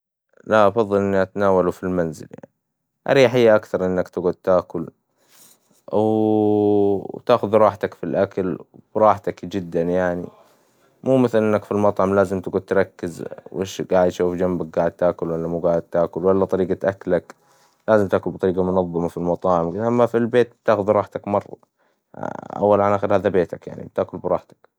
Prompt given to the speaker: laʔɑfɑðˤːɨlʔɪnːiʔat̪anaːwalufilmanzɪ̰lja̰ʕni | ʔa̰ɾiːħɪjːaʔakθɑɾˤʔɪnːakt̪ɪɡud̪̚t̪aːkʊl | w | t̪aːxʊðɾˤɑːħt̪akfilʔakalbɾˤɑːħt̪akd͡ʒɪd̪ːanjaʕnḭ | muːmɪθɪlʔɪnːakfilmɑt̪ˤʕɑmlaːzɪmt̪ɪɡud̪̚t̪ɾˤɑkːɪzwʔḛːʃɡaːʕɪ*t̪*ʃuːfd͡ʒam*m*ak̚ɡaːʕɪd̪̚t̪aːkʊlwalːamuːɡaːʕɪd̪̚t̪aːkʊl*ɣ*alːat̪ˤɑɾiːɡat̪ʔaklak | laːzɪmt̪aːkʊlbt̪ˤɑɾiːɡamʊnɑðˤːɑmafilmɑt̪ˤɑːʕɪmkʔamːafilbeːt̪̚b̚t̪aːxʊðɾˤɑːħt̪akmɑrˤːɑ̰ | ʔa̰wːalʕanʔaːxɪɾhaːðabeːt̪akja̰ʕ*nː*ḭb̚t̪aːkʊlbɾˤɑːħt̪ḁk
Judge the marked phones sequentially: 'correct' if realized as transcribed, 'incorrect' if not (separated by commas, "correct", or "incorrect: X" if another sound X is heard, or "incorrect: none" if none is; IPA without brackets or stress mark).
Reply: incorrect: d̪, incorrect: b, incorrect: w, incorrect: n